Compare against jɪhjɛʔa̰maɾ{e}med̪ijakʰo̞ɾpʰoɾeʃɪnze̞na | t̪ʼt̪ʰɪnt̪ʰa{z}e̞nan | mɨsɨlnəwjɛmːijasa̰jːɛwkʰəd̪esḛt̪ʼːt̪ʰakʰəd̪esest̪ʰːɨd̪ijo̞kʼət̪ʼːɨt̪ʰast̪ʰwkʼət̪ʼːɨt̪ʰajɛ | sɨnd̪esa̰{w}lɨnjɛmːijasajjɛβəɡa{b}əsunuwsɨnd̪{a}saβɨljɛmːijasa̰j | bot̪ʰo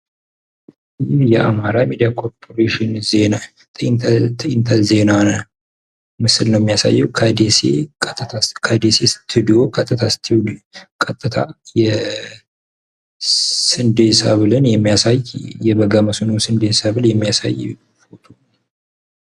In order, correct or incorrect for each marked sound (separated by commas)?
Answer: incorrect, correct, incorrect, incorrect, incorrect